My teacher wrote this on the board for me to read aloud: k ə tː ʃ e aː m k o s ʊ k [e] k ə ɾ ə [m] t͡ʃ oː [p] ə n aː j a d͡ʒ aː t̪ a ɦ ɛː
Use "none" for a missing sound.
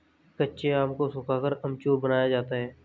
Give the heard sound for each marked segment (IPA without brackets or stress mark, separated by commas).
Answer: a, m, b